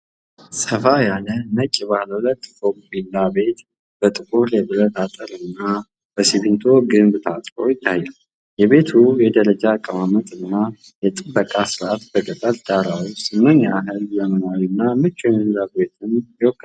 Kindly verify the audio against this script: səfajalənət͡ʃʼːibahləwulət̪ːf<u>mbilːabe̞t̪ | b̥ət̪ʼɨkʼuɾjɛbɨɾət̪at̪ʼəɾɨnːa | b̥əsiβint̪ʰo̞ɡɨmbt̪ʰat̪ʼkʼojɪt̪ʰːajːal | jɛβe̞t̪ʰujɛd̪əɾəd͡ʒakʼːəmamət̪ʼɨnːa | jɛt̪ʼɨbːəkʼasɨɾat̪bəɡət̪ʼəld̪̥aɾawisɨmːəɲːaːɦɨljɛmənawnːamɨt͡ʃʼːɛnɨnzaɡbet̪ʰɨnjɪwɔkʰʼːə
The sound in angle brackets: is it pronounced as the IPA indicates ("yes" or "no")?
no